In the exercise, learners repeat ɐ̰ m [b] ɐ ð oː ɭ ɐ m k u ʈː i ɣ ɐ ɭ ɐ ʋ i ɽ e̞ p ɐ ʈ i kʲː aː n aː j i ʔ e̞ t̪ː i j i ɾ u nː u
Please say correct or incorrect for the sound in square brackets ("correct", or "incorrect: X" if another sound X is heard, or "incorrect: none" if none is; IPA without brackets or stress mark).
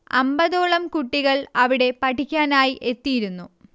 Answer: correct